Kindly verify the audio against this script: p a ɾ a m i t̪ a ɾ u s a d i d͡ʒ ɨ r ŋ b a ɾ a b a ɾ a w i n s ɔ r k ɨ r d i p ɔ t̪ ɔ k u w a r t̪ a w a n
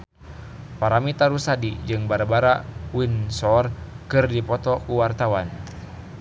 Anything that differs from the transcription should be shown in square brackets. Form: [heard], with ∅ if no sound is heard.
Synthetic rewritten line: p a ɾ a m i t̪ a ɾ u s a d i d͡ʒ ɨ [∅] ŋ b a ɾ a b a ɾ a w i n s ɔ r k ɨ r d i p ɔ t̪ ɔ k u w a r t̪ a w a n